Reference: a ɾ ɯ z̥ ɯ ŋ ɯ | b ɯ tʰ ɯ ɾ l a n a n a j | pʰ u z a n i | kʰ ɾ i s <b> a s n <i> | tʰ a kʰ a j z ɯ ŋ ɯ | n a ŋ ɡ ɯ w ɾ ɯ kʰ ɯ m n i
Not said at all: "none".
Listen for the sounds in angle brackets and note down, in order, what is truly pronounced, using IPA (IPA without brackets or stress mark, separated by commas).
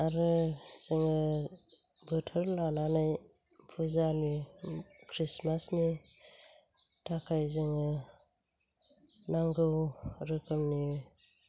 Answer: m, i